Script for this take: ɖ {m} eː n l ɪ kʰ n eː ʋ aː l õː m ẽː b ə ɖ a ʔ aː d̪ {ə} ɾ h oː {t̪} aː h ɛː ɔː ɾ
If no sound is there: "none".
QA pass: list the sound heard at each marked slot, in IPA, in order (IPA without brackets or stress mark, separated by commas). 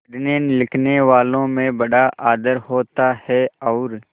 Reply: n, ə, t̪